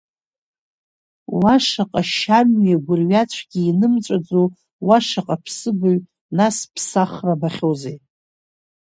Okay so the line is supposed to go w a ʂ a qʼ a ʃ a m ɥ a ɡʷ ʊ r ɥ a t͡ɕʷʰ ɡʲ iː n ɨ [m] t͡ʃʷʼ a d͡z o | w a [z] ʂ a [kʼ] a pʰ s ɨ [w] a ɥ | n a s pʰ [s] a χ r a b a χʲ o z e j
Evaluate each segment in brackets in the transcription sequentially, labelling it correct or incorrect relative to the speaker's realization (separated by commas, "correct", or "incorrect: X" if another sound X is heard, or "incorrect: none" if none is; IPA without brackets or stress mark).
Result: correct, incorrect: none, incorrect: qʼ, incorrect: b, correct